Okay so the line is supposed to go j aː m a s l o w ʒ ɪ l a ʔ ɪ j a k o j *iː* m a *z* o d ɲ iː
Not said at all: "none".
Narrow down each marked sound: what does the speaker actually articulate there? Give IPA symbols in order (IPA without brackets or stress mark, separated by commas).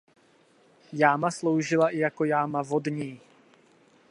aː, v